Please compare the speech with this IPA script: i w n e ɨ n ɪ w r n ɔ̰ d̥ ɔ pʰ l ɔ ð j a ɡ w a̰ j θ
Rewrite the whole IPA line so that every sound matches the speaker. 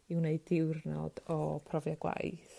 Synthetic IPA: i w n e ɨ d ɪ w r n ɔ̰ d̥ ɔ pʰ r ɔ v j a ɡ w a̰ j θ